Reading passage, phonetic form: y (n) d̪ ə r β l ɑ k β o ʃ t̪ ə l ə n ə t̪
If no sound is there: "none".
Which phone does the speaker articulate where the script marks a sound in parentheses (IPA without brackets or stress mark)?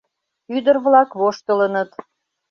none